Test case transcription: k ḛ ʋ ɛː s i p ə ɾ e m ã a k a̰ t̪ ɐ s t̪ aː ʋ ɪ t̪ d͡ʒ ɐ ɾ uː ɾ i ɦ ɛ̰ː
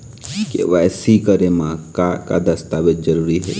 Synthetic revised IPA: k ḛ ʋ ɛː s i k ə ɾ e m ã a k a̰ d̪ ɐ s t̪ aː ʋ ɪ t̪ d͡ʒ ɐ ɾ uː ɾ i ɦ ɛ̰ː